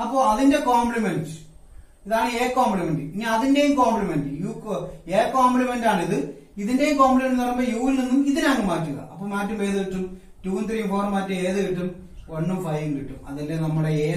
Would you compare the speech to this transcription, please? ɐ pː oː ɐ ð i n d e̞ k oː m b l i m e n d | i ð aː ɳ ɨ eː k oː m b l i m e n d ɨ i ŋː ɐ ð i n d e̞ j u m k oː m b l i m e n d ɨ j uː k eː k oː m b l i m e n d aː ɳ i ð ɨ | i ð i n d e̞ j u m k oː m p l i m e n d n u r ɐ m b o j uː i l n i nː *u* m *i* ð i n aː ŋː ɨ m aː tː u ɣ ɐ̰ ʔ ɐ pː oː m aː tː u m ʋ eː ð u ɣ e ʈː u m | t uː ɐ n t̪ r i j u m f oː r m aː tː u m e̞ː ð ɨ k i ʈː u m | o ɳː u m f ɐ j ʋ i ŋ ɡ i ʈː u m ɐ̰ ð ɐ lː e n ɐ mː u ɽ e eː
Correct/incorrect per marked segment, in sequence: correct, correct

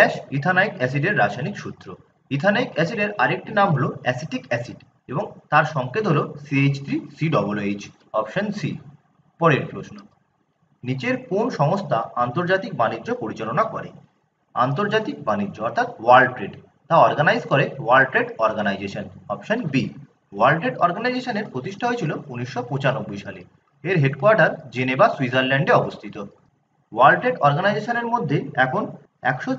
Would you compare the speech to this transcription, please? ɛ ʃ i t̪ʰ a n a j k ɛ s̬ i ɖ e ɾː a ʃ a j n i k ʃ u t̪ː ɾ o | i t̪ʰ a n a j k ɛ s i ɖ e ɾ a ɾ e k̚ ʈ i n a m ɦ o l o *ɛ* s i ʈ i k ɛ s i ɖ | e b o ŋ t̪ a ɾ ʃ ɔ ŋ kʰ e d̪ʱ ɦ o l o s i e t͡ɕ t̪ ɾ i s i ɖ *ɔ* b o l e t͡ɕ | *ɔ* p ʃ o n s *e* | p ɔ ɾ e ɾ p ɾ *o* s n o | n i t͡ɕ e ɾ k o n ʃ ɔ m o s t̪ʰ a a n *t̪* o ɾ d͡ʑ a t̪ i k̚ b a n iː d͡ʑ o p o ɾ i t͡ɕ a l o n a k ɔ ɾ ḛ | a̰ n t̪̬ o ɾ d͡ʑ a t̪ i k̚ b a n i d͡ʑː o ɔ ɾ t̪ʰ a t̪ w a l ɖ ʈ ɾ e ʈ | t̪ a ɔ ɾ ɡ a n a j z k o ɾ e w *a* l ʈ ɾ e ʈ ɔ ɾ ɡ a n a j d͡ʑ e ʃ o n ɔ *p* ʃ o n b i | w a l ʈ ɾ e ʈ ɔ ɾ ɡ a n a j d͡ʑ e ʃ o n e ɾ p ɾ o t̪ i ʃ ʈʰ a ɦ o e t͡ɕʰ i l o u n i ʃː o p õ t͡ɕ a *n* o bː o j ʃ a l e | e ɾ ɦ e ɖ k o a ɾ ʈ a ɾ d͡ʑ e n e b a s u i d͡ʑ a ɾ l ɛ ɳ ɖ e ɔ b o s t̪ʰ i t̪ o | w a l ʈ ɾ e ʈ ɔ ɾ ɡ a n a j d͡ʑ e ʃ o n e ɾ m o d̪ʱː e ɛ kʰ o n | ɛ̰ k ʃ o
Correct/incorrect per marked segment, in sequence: correct, correct, correct, incorrect: i, correct, correct, correct, correct, correct

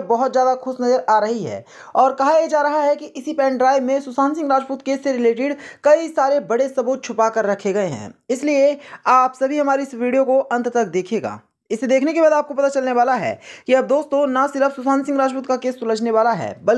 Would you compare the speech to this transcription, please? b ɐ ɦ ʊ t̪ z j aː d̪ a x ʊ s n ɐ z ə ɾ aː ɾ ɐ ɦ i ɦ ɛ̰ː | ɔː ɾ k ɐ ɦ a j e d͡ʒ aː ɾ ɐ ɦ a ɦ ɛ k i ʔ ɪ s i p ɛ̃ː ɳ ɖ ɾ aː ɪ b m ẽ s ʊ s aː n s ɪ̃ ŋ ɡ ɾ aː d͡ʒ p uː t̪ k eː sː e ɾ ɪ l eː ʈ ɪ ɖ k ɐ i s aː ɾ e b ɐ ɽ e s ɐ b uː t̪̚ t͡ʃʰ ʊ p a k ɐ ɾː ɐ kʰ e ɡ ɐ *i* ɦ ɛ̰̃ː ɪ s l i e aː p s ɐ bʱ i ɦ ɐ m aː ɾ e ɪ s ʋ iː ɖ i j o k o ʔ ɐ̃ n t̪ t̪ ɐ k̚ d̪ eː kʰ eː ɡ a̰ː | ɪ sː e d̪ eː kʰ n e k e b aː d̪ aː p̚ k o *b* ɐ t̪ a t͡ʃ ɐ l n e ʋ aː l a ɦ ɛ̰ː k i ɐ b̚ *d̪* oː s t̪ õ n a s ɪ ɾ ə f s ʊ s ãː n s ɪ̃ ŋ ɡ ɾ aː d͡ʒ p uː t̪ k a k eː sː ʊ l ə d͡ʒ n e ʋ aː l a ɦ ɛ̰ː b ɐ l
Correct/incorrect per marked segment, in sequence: incorrect: e, incorrect: p, correct

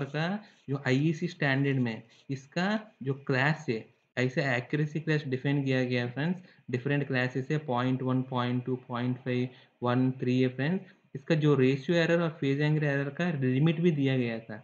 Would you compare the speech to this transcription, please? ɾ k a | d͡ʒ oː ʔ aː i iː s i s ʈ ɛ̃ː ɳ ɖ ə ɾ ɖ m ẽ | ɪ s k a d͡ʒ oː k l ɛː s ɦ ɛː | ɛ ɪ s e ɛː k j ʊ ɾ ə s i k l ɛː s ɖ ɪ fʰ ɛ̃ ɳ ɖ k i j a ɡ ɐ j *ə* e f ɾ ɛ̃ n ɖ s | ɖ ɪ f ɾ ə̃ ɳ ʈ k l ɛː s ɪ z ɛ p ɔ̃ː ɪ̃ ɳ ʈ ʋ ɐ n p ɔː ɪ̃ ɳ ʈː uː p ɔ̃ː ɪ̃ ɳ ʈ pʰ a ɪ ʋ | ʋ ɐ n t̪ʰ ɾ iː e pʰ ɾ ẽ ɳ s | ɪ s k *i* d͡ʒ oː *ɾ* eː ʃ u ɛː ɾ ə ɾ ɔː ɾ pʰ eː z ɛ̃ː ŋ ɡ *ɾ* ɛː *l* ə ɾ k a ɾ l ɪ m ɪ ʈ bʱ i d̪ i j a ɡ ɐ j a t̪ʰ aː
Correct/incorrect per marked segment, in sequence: incorrect: a, incorrect: a, correct, correct, incorrect: ɾ

